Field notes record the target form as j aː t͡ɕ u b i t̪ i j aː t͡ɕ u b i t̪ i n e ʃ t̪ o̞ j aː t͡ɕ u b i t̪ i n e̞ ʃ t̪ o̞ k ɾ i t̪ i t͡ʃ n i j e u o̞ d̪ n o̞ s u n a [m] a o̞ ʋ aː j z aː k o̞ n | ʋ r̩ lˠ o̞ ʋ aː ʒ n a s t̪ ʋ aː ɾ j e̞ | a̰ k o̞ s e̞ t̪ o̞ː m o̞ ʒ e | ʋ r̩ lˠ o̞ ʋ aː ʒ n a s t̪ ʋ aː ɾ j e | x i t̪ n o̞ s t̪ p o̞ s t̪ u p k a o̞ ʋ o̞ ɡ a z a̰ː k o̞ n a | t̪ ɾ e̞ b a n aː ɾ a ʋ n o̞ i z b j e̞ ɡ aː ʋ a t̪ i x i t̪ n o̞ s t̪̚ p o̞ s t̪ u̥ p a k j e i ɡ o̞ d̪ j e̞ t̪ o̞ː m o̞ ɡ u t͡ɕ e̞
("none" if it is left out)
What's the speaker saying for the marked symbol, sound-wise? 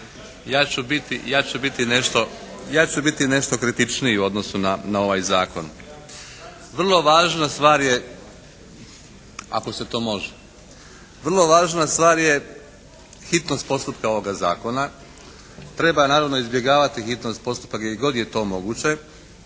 n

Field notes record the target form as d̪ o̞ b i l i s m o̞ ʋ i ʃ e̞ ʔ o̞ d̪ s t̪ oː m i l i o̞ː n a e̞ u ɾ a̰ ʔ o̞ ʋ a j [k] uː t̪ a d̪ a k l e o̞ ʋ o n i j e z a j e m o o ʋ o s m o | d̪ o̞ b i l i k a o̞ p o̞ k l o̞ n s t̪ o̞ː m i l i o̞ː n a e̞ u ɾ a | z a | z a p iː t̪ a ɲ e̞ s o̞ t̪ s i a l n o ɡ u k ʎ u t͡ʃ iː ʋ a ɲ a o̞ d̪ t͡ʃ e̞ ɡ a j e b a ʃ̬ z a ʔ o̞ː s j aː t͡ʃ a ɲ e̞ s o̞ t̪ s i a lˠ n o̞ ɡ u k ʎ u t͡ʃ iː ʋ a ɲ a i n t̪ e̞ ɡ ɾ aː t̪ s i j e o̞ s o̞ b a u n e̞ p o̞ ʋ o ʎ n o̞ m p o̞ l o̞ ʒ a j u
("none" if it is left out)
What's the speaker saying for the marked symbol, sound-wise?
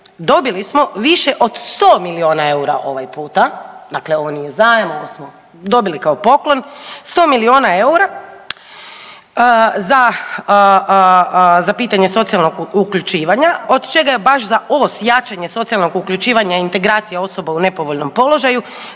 p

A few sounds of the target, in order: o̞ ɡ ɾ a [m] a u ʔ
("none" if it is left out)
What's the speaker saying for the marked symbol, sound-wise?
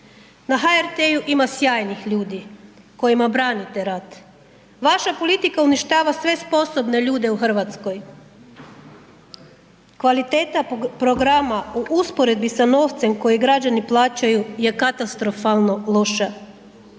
m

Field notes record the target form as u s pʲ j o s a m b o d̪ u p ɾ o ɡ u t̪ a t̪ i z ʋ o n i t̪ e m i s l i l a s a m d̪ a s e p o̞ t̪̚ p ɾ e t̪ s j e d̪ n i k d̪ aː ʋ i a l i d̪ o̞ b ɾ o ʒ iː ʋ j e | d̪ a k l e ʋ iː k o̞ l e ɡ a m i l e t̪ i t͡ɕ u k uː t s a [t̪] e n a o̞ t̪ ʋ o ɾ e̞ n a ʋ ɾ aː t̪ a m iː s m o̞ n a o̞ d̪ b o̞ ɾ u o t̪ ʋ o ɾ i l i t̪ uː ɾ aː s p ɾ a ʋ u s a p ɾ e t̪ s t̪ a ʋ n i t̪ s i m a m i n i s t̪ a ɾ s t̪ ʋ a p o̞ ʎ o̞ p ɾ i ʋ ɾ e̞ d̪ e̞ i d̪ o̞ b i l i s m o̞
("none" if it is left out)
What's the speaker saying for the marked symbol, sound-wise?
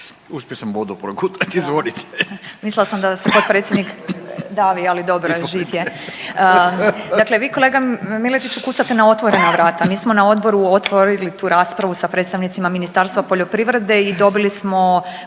t̪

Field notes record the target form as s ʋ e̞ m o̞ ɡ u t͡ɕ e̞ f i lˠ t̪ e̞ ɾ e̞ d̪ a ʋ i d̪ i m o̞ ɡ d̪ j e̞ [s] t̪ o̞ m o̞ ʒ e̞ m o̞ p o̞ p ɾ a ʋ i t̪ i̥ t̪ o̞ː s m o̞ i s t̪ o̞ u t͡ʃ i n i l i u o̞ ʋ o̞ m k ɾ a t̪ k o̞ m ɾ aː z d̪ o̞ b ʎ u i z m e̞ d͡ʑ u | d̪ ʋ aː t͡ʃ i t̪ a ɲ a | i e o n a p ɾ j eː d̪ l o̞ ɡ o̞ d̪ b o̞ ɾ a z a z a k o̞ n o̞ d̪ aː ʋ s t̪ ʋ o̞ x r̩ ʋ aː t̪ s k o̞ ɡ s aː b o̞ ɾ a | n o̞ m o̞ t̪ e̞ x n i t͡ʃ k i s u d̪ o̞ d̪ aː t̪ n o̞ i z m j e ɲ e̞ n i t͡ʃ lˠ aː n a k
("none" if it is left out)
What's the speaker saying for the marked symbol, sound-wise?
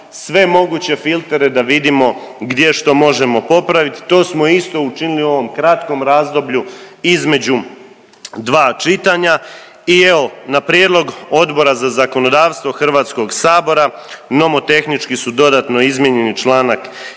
ʃ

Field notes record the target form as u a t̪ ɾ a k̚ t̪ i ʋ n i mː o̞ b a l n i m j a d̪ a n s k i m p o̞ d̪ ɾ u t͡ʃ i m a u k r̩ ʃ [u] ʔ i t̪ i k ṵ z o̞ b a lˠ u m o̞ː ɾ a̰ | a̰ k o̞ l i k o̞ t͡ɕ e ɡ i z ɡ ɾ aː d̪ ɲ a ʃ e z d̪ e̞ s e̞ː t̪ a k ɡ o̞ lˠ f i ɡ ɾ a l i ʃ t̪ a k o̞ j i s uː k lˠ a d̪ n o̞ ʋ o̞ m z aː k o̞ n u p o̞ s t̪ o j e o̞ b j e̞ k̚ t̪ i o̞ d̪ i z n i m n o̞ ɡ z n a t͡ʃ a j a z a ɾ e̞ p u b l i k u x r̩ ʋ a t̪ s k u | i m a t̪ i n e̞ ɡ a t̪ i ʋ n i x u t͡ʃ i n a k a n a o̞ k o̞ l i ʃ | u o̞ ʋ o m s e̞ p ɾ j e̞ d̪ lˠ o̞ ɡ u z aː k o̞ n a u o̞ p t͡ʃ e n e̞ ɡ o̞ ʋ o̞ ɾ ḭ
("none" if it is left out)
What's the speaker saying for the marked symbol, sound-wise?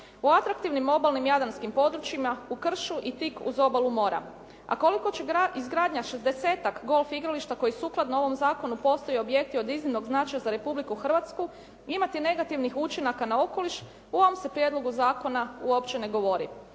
u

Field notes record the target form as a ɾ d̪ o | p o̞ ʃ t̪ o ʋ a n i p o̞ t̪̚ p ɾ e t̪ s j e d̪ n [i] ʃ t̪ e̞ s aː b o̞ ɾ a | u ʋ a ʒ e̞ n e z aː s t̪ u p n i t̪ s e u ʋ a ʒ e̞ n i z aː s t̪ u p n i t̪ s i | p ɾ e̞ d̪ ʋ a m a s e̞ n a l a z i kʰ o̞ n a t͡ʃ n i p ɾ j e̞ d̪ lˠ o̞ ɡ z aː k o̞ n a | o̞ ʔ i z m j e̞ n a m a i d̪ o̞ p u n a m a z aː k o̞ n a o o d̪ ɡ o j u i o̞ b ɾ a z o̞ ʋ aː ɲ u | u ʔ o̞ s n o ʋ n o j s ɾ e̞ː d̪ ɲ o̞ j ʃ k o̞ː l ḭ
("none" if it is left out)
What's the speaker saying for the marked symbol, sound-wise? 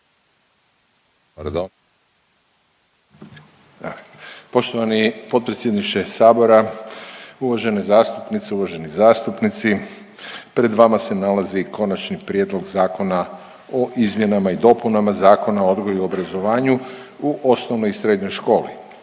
i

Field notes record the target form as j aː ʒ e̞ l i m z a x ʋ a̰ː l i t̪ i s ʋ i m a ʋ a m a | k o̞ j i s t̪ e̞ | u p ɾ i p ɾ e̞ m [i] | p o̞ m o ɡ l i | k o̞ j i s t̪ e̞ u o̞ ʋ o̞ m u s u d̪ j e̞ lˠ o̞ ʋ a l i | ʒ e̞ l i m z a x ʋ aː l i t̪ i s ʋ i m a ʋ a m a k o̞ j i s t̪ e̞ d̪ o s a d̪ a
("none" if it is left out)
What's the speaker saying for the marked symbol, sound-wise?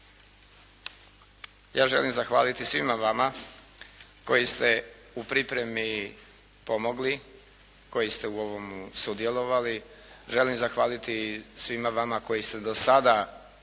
i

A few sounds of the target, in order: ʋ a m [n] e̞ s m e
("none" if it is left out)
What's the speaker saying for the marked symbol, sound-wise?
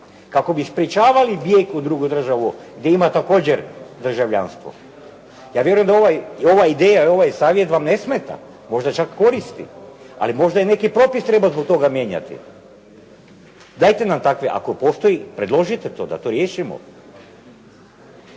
n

